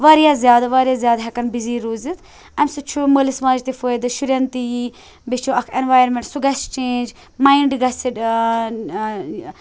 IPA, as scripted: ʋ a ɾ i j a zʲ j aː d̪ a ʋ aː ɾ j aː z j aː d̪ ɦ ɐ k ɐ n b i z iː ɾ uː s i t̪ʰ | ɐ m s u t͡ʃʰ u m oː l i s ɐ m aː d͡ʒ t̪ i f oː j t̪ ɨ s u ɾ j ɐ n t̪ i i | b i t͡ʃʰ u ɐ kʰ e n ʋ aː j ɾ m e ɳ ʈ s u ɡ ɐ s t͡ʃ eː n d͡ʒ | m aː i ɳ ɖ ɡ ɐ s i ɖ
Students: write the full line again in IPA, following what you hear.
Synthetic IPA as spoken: ʋ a ɾ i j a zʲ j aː d̪ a ʋ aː ɾ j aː z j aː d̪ ɦ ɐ k ɐ n b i z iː ɾ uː z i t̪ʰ | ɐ m s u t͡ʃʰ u m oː l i s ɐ m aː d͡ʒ t̪ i f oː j d̪ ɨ ʃ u ɾ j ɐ n t̪ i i | b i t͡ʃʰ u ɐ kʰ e n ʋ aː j ɾ m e ɳ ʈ s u ɡ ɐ s t͡ʃ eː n d͡ʒ | m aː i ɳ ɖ ɡ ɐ s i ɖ